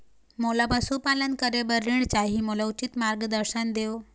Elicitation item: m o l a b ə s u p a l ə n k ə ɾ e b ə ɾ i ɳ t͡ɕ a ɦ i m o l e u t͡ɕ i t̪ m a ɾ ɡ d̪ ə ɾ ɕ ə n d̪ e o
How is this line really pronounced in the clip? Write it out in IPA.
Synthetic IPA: m o l a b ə s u p a l ə n k ə ɾ e b ə ɾ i ɳ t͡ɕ a ɦ i m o l a u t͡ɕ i t̪ m a ɾ ɡ d̪ ə ɾ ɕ ə n d̪ e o